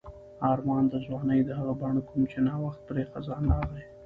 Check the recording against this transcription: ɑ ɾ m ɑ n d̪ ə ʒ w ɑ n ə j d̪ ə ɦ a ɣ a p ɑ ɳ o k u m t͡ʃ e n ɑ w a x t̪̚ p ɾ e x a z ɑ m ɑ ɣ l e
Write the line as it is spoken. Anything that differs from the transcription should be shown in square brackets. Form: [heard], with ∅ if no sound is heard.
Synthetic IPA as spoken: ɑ ɾ m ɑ n d̪ ə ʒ w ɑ n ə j d̪ ə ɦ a ɣ a [b] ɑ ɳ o k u m t͡ʃ e n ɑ w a x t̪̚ p ɾ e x a z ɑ [n] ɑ ɣ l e